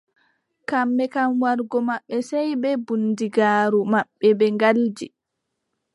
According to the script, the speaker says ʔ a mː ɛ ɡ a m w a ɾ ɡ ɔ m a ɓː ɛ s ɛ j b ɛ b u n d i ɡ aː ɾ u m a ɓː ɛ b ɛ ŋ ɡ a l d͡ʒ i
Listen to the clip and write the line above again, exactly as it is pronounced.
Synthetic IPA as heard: k a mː ɛ k a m w a ɾ ɡ ɔ m a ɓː ɛ s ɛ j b ɛ b u n d i ɡ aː ɾ u m a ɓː ɛ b ɛ ŋ ɡ a l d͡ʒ i